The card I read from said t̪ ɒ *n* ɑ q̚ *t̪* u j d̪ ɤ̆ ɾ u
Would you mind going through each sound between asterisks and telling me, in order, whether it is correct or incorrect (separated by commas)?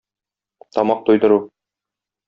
incorrect, correct